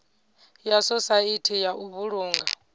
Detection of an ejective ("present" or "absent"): absent